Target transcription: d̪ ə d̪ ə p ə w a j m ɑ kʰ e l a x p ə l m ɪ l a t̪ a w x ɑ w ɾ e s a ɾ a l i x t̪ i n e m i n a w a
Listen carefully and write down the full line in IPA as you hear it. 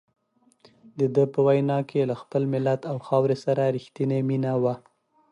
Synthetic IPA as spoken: d̪ ə d̪ ə p ə w a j n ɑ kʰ e l a x p ə l m ɪ l a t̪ a w x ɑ w ɾ e s a ɾ a ɾ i x t̪ i n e m i n a w a